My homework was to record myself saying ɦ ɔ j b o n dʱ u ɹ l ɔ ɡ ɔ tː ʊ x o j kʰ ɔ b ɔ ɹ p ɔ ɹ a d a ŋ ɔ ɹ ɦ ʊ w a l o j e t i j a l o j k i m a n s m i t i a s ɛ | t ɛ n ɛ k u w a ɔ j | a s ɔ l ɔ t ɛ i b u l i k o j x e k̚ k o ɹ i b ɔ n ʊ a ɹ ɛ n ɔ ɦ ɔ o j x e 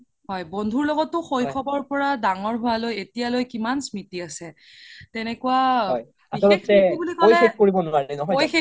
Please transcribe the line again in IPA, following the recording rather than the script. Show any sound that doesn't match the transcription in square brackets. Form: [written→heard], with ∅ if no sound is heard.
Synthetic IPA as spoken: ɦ ɔ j b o n dʱ u ɹ l ɔ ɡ ɔ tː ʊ x o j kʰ ɔ b ɔ ɹ p ɔ ɹ a d a ŋ ɔ ɹ ɦ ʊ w a l o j e t i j a l o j k i m a n s m i t i a s ɛ | t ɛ n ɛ k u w a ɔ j | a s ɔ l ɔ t ɛ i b u l i k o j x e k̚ k o ɹ i b ɔ n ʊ a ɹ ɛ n ɔ ɦ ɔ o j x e